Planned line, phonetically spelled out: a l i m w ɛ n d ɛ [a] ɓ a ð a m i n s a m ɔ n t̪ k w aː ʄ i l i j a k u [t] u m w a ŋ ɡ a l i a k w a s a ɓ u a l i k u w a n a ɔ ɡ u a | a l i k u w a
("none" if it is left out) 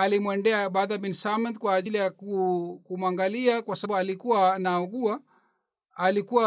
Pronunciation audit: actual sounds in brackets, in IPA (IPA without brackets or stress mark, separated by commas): a, k